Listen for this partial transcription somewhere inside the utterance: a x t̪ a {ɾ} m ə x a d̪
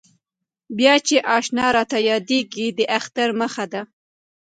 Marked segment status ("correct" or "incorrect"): correct